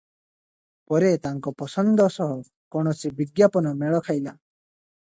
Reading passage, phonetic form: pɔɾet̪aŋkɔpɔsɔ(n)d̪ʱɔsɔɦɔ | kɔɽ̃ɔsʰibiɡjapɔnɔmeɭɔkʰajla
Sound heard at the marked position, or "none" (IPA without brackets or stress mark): n